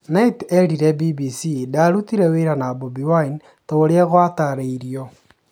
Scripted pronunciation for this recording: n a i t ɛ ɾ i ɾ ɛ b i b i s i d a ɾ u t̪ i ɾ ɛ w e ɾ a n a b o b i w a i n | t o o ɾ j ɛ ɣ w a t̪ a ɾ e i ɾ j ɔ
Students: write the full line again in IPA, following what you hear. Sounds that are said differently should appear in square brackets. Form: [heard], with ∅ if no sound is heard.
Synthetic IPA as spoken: n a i t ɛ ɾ i ɾ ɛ b i b i s i d a ɾ u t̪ i ɾ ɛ w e ɾ a n a b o b i w a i n | t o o ɾ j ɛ ɣ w a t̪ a ɾ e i ɾ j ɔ